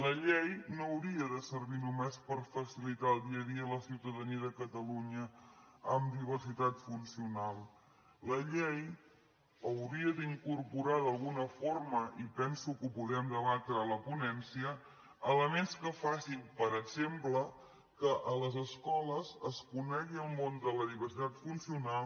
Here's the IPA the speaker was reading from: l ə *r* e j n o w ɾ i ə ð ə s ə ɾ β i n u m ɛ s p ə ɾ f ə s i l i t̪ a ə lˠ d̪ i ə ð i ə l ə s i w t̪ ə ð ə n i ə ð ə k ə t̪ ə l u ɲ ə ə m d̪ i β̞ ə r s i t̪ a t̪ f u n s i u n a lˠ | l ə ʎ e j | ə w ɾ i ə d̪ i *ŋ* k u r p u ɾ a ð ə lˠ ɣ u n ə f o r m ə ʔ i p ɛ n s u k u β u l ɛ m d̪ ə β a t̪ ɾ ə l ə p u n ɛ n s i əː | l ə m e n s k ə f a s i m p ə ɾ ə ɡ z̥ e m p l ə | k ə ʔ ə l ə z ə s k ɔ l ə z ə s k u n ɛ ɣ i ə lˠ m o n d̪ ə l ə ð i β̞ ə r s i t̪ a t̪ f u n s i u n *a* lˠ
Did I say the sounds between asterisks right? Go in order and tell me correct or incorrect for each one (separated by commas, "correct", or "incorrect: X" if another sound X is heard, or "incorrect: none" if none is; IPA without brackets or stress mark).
incorrect: ʎ, correct, correct